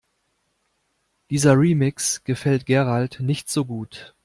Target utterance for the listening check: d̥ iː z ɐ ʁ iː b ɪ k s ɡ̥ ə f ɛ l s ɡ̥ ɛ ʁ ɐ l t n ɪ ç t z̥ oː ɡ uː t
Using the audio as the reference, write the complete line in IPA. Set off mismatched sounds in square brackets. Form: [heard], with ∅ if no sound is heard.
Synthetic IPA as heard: d̥ iː z ɐ ʁ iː [m] ɪ k s ɡ̥ ə f ɛ l [t] ɡ̥ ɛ ʁ [a] l t n ɪ ç t z̥ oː ɡ uː t